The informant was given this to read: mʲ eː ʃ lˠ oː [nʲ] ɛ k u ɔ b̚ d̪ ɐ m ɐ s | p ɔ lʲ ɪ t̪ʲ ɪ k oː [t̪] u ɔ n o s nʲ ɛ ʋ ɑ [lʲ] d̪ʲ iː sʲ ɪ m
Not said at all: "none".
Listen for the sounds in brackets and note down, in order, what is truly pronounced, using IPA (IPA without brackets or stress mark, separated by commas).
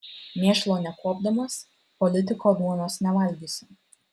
nʲ, d̪, lʲ